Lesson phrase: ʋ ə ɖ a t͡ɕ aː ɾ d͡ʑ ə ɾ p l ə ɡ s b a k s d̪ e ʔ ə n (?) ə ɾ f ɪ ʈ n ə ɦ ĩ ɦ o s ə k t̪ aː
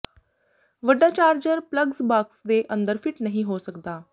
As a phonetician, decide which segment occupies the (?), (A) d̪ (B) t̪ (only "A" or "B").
A